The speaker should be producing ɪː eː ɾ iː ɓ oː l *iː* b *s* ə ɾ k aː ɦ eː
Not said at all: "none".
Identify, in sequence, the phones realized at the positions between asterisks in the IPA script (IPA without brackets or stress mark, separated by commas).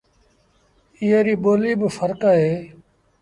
iː, f